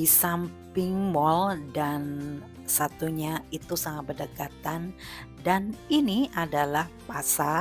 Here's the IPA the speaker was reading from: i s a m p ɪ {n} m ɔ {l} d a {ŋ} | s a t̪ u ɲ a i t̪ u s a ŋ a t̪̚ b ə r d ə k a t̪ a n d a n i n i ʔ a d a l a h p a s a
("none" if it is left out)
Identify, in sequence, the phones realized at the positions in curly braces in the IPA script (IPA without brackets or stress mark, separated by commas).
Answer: ŋ, l, n